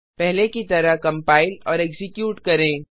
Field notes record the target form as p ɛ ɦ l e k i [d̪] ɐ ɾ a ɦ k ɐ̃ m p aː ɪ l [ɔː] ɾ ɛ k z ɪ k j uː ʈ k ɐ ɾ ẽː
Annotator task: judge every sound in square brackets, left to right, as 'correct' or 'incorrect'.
incorrect: t̪, correct

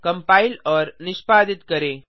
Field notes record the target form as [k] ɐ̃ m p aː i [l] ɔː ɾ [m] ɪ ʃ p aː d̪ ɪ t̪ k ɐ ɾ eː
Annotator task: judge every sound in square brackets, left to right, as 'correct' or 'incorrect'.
correct, correct, incorrect: n

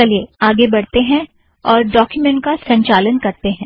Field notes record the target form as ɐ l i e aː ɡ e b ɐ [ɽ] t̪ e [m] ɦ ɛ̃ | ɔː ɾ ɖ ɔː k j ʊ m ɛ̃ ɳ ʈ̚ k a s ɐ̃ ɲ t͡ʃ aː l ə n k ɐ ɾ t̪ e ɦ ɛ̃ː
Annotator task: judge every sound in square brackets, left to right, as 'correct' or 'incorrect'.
correct, incorrect: none

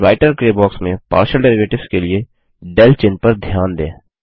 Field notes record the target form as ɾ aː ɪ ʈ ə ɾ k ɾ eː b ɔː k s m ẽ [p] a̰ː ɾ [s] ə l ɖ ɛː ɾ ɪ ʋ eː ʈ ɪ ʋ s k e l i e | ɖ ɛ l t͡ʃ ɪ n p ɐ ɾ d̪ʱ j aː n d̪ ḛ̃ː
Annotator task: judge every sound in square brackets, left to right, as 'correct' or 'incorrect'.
correct, incorrect: ʃ

